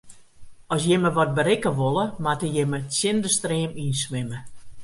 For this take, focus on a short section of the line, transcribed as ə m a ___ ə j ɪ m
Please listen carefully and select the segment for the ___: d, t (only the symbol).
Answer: t